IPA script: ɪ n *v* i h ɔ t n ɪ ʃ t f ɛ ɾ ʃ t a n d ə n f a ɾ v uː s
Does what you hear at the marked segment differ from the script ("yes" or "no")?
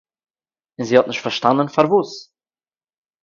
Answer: yes